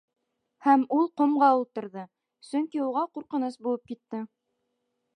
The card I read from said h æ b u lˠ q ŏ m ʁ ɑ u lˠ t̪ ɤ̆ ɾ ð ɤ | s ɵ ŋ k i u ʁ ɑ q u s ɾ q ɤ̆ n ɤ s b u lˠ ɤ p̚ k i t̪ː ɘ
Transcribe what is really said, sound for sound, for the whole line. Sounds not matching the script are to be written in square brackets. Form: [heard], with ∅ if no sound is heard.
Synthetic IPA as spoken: h æ [m] u lˠ q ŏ m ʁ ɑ u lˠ t̪ ɤ̆ ɾ ð ɤ | s ɵ ŋ k i u ʁ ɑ q u [∅] ɾ q ɤ̆ n ɤ s b u lˠ ɤ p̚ k i t̪ː ɘ